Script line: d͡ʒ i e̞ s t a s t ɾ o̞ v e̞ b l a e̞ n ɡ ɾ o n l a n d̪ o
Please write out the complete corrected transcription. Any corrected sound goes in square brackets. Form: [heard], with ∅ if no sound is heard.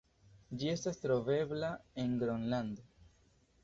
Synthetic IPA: d͡ʒ i e̞ s t a s t ɾ o̞ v e̞ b l a e̞ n ɡ ɾ o n l a n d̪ o

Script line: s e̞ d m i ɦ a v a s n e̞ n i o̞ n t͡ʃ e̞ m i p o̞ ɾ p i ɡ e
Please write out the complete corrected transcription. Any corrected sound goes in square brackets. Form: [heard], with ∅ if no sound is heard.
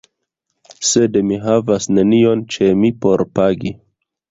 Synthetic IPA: s e̞ d m i ɦ a v a s n e̞ n i o̞ n t͡ʃ e̞ m i p o̞ ɾ p [a] ɡ [i]

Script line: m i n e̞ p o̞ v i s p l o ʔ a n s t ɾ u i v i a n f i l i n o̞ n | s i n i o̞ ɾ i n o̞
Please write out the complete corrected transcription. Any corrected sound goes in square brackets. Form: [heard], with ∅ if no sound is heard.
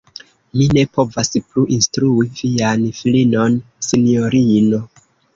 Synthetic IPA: m i n e̞ p o̞ v [a] s p l [u] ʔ [i] n s t ɾ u i v i a n f i l i n o̞ n | s i n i o̞ ɾ i n o̞

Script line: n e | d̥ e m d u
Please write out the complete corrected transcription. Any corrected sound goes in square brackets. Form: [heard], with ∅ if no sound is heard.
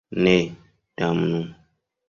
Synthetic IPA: n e | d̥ [a] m [n] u

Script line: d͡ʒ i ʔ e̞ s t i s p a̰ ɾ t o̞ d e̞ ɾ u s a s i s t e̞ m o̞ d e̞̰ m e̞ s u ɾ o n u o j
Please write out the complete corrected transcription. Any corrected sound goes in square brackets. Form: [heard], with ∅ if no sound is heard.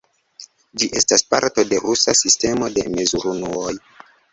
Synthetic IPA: d͡ʒ i ʔ e̞ s t [a] s p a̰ ɾ t o̞ d e̞ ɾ u s a s i s t e̞ m o̞ d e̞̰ m e̞ [z] u ɾ [u] n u o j

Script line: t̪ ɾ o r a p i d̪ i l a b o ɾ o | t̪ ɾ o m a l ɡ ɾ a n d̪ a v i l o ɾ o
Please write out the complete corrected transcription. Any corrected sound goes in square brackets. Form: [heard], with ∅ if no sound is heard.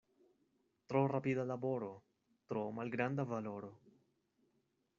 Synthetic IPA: t̪ ɾ o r a p i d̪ [a] l a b o ɾ o | t̪ ɾ o m a l ɡ ɾ a n d̪ a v [a] l o ɾ o

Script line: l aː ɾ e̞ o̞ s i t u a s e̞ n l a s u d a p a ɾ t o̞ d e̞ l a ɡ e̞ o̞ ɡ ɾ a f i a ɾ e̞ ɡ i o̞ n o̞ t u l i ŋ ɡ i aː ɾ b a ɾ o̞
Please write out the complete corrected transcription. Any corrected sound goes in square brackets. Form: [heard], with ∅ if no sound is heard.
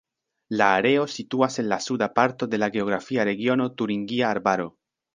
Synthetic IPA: l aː ɾ e̞ o̞ s i t u a s e̞ n l a s u d a p a ɾ t o̞ d e̞ l a ɡ e̞ o̞ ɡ ɾ a f i a ɾ e̞ ɡ i o̞ n o̞ t u [ɾ] i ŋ ɡ i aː ɾ b a ɾ o̞

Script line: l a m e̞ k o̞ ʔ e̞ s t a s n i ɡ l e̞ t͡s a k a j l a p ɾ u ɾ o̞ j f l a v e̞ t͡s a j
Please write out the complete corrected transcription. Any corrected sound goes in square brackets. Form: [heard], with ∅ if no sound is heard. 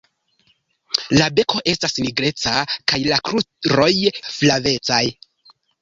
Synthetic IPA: l a [b] e̞ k o̞ ʔ e̞ s t a s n i ɡ [ɾ] e̞ t͡s a k a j l a [k] ɾ u ɾ o̞ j f l a v e̞ t͡s a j

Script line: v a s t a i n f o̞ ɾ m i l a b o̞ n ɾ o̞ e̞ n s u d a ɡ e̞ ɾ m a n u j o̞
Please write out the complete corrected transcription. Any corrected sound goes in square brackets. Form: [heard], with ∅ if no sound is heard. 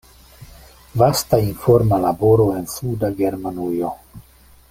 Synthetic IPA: v a s t a i n f o̞ ɾ m [a] l a b o̞ [∅] ɾ o̞ e̞ n s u d a ɡ e̞ ɾ m a n u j o̞

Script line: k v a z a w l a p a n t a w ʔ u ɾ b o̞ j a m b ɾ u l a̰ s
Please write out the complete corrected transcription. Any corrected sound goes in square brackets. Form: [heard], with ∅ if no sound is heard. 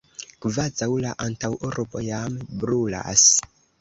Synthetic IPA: k v a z a w l a [ʔ] a n t a w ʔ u ɾ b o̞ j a m b ɾ u l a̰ s

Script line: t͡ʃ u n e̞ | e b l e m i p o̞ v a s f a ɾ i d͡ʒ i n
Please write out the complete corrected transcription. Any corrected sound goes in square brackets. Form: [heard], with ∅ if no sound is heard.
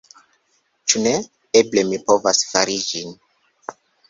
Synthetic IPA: t͡ʃ u n e̞ | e b l e m i p o̞ v a s f a ɾ i d͡ʒ i n

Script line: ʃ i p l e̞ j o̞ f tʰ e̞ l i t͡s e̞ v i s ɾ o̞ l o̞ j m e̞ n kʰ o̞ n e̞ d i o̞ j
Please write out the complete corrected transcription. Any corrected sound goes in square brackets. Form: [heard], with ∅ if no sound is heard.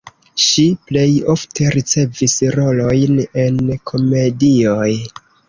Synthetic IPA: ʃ i p l e̞ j o̞ f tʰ e̞ [ɾ] i t͡s e̞ v i s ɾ o̞ l o̞ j [n] e̞ n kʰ o̞ [m] e̞ d i o̞ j

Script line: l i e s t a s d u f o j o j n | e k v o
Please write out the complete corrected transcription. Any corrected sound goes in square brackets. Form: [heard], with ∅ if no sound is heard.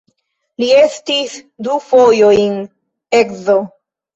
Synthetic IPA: l i e s t [i] s d u f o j o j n | e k [z] o

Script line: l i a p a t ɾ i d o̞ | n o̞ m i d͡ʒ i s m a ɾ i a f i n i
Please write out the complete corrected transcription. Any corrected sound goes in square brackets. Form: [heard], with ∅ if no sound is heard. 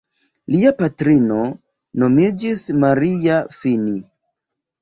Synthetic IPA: l i a p a t ɾ i [n] o̞ | n o̞ m i d͡ʒ i s m a ɾ i a f i n i

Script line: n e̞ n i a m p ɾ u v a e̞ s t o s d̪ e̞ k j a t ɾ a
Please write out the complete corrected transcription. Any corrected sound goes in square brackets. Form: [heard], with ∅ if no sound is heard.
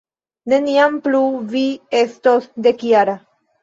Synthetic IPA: n e̞ n i a m p [l] u v [i] e̞ s t o s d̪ e̞ k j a [∅] ɾ a

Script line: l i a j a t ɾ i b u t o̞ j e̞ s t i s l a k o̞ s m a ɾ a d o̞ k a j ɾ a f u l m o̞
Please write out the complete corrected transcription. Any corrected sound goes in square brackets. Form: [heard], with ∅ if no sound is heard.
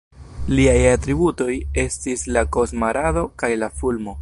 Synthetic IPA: l i a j a t ɾ i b u t o̞ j e̞ s t i s l a k o̞ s m a ɾ a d o̞ k a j [l] a f u l m o̞

